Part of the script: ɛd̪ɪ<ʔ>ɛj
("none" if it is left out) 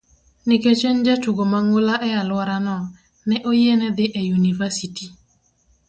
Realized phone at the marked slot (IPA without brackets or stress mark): ʔ